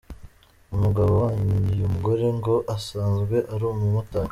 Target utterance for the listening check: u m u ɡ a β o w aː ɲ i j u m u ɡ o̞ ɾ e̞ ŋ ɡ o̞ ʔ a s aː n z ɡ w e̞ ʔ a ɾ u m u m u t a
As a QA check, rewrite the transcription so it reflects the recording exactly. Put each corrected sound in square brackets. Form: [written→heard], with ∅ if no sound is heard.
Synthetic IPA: u m u ɡ a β o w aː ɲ i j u m u ɡ o̞ ɾ e̞ ŋ ɡ o̞ ʔ a s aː n z ɡ w e̞ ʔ a ɾ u m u m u t a